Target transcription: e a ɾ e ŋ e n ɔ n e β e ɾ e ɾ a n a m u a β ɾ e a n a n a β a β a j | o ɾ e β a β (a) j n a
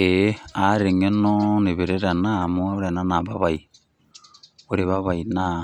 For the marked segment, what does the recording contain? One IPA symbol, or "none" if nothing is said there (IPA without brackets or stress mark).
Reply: a